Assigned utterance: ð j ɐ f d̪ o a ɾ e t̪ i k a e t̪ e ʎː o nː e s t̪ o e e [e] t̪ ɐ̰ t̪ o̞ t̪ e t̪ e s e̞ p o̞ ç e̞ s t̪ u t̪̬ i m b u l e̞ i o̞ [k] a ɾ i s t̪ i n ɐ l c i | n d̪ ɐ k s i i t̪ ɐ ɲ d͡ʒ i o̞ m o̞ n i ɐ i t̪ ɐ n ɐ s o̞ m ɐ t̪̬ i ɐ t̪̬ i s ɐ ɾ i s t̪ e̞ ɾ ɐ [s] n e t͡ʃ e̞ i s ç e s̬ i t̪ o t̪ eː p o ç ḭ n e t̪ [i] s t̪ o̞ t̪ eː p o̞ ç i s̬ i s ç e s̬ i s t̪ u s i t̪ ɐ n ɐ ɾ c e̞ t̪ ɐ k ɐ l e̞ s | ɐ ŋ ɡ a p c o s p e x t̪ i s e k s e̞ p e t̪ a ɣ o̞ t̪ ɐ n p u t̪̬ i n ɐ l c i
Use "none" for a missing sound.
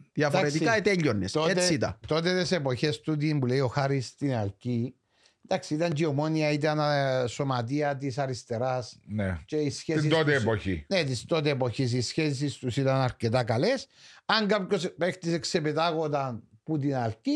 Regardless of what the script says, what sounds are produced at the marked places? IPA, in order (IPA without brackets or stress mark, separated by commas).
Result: i, x, s, i